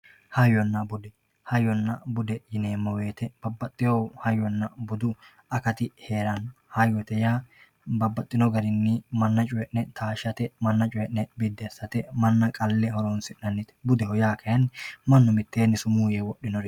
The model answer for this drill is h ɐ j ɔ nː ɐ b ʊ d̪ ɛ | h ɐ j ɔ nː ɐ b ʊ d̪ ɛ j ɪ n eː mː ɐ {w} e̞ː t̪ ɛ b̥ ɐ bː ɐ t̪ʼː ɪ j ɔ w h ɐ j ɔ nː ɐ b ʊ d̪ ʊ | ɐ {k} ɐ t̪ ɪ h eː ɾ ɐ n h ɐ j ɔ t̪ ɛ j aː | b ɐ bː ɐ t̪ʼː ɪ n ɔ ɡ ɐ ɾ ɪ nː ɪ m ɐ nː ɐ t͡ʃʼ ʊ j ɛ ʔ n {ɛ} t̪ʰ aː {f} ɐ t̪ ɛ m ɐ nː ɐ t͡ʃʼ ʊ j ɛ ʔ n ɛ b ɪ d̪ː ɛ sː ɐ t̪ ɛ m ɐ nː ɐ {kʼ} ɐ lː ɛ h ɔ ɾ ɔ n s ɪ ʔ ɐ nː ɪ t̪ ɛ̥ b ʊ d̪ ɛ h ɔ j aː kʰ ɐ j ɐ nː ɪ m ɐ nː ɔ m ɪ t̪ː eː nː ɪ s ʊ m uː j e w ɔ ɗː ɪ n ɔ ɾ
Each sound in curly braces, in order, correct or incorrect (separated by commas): correct, correct, correct, incorrect, correct